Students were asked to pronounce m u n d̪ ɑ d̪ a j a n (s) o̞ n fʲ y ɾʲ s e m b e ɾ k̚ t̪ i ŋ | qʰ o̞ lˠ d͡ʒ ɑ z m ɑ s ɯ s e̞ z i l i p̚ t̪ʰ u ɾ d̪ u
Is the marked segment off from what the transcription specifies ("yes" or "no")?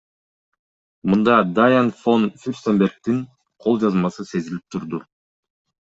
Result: yes